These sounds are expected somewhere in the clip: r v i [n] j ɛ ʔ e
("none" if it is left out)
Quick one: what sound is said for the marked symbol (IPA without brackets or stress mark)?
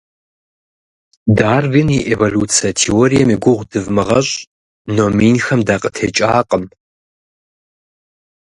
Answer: n